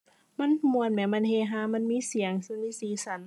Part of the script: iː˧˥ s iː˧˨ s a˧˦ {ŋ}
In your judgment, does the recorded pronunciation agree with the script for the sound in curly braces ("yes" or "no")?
no